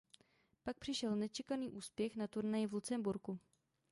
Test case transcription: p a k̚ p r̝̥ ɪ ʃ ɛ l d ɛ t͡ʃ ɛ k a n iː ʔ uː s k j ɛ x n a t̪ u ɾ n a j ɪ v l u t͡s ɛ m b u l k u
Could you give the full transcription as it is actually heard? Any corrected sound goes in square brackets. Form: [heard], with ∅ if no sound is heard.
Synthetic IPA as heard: p a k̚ p r̝̥ ɪ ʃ ɛ l [n] ɛ t͡ʃ ɛ k a n iː ʔ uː s [p] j ɛ x n a t̪ u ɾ n a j ɪ v l u t͡s ɛ m b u [ɾ] k u